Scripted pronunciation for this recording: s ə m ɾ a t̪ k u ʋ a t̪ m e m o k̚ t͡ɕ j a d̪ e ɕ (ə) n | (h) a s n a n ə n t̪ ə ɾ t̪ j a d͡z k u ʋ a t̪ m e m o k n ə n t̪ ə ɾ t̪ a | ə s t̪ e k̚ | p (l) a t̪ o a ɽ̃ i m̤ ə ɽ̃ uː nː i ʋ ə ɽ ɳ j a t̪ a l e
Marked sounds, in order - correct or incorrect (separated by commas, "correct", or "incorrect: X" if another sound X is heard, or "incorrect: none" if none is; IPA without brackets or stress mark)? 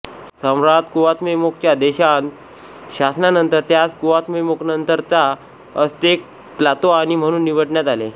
incorrect: a, incorrect: ɕ, correct